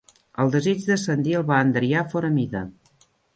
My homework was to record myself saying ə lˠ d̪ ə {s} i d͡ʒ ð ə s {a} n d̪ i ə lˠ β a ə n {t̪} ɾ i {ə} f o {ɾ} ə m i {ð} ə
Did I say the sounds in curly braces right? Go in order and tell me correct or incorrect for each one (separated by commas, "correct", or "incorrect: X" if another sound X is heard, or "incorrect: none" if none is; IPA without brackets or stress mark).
incorrect: z, incorrect: ə, incorrect: d̪, incorrect: a, correct, correct